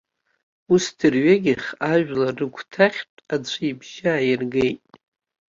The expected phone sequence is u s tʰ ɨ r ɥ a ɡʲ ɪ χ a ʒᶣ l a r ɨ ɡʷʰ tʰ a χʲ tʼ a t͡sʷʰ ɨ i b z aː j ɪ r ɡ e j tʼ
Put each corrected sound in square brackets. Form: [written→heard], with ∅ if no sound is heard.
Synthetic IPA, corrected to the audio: u s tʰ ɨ r ɥ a ɡʲ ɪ χ a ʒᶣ l a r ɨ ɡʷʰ tʰ a χʲ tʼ a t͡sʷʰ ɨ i b [z→ʒ] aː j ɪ r ɡ e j tʼ